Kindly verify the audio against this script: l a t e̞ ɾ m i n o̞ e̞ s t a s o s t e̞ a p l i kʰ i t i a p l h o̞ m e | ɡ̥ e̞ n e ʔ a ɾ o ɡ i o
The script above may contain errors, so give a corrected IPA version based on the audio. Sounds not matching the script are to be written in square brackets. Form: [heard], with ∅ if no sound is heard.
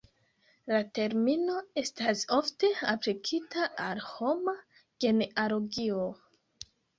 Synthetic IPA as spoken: l a t e̞ ɾ m i n o̞ e̞ s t a s o [f] t e̞ a p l i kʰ i t [a] a [∅] l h o̞ m [a] | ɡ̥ e̞ n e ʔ a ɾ o ɡ i o